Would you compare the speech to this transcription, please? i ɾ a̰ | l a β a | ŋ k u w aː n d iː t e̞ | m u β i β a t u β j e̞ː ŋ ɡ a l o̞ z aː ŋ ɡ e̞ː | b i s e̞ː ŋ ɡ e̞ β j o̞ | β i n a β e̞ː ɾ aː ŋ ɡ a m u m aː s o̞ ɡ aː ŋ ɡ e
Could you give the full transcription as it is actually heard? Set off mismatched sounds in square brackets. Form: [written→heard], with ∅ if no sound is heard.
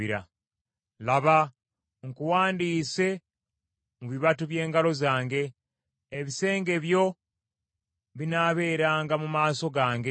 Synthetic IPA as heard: i ɾ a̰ | l a β a | ŋ k u w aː n d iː [t→s] e̞ | m u β i β a t u β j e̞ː ŋ ɡ a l o̞ z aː ŋ ɡ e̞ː | [b→β] i s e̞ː ŋ ɡ e̞ β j o̞ | β i n a β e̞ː ɾ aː ŋ ɡ a m u m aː s o̞ ɡ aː ŋ ɡ e